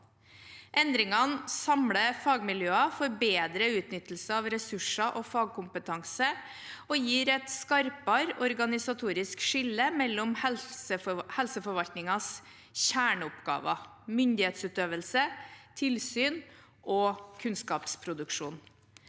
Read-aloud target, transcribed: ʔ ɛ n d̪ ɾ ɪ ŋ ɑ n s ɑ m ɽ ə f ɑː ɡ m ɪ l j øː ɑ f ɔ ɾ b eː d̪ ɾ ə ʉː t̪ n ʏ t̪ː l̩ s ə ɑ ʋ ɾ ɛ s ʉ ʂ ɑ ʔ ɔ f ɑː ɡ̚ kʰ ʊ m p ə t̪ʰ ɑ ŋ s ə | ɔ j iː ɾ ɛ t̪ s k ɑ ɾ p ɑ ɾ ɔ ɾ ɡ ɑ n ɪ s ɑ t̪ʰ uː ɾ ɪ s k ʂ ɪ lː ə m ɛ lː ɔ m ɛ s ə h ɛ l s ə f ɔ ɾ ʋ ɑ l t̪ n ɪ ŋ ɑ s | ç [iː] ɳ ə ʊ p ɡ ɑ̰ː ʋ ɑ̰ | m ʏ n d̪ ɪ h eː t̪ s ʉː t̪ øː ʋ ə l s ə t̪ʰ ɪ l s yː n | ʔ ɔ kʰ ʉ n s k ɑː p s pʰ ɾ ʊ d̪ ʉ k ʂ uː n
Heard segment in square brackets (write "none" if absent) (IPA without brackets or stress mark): æː